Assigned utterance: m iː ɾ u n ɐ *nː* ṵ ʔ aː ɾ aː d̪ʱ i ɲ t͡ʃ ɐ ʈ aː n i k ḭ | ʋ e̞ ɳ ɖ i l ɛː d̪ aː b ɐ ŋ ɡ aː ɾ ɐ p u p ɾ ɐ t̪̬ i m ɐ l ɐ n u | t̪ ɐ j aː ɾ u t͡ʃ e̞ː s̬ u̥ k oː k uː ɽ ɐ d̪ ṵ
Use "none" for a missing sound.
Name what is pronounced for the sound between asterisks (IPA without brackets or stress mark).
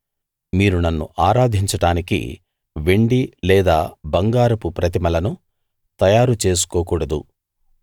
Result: nː